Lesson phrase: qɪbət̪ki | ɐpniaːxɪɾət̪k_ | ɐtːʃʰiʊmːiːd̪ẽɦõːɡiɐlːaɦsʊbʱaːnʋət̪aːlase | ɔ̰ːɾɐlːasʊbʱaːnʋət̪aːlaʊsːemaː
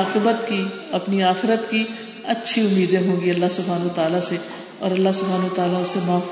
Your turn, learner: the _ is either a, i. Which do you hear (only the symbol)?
i